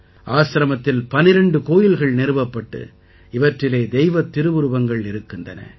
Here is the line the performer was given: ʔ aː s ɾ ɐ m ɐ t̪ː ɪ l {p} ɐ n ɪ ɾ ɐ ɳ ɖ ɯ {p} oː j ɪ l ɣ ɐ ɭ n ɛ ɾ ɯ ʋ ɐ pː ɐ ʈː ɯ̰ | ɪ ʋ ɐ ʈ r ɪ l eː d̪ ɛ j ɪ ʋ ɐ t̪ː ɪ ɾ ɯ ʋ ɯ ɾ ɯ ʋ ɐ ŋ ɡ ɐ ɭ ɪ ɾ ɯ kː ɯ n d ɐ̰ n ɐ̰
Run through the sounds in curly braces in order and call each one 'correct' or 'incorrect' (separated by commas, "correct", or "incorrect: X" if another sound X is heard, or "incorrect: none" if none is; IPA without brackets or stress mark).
correct, incorrect: k